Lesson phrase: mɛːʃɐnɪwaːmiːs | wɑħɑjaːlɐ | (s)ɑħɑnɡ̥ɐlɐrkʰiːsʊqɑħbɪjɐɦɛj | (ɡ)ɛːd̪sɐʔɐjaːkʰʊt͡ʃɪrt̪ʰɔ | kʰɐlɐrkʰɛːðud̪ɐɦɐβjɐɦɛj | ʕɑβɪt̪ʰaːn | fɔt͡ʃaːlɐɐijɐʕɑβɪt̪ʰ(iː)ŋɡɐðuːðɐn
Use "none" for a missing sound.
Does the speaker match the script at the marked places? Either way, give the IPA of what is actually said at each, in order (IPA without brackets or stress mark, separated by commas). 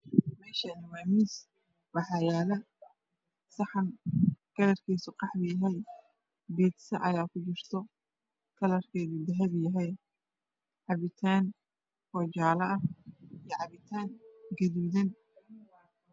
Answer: s, b, aː